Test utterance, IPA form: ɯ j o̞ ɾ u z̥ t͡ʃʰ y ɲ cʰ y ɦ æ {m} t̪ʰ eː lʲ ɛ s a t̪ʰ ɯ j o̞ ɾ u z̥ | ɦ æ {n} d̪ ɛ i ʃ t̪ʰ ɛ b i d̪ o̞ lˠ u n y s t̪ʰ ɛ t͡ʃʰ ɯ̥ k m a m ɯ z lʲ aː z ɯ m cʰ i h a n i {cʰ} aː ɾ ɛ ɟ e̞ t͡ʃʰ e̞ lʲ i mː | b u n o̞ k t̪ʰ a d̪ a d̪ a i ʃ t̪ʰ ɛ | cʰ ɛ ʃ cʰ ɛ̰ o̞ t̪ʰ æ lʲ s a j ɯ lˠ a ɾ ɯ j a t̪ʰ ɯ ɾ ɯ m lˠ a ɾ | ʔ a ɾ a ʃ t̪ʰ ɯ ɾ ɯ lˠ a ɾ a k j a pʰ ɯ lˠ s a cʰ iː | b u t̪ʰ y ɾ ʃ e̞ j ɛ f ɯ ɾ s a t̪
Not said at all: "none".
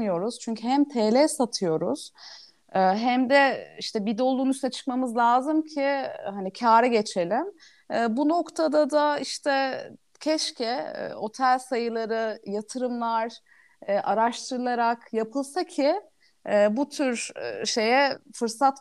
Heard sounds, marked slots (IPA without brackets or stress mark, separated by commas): m, m, cʰ